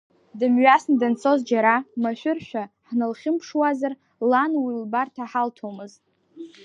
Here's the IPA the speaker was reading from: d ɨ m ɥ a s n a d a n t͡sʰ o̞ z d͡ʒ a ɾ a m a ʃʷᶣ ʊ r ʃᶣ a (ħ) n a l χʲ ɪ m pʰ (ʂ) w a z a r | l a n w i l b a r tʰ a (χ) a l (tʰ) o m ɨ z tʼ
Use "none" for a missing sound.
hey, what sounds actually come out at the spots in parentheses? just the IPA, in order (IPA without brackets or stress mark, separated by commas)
ħ, ʂ, ħ, tʰ